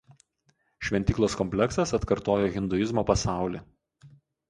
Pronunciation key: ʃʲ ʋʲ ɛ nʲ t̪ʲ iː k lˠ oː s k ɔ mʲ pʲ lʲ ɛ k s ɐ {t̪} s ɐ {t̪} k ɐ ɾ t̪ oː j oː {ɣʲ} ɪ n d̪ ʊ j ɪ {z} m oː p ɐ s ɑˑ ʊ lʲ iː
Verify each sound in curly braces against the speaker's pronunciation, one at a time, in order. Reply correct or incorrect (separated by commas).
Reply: incorrect, correct, correct, correct